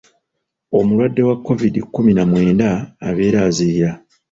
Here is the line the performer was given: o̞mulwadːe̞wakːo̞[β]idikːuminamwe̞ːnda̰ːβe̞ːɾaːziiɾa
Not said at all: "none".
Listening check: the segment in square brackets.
v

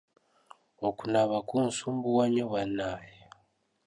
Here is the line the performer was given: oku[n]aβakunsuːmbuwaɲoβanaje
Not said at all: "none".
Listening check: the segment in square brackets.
n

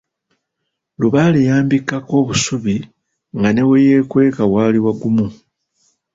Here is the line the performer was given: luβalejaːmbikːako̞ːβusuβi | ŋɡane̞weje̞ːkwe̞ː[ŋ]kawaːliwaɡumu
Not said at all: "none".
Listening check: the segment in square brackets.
none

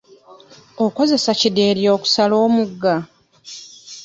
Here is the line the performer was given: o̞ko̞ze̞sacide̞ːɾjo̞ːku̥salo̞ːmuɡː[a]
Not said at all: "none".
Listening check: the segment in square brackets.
a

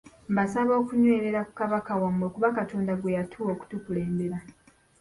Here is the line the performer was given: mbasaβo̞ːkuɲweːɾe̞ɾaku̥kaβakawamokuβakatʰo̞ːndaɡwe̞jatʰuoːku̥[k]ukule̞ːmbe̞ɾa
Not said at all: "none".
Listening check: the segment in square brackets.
t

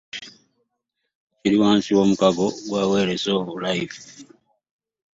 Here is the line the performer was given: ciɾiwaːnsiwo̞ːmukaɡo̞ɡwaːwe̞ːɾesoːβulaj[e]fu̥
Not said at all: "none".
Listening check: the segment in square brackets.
i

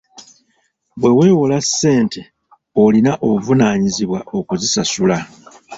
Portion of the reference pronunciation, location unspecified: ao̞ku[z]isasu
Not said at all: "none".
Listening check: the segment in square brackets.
z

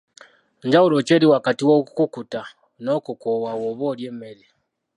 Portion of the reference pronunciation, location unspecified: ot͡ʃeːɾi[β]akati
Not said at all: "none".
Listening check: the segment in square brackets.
w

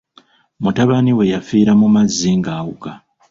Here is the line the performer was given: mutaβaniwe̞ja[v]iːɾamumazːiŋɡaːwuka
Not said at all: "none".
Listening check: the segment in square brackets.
f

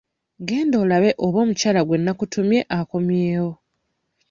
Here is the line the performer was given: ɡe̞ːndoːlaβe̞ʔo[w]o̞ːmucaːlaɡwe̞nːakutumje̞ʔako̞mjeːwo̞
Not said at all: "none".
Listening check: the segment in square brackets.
β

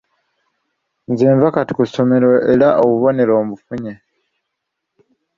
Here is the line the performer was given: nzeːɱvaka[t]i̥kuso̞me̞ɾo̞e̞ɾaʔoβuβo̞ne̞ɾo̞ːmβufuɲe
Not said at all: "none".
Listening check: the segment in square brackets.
t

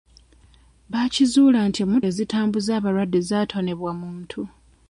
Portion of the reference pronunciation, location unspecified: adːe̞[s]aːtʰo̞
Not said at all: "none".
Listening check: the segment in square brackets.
z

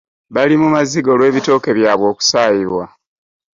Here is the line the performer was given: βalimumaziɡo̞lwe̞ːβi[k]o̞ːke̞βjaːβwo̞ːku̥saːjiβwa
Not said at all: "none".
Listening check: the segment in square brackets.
t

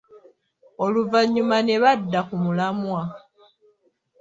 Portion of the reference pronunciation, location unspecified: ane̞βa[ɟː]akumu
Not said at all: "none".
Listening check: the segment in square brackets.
dː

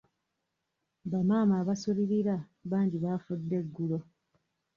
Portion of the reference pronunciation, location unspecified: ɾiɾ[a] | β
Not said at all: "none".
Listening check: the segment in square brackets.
a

